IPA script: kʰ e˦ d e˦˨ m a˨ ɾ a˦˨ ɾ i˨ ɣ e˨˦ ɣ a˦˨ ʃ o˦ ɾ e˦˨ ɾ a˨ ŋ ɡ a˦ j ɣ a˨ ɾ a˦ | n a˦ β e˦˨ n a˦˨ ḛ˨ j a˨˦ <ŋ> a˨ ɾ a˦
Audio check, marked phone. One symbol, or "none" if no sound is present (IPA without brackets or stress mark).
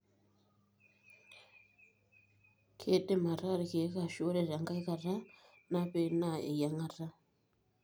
ŋ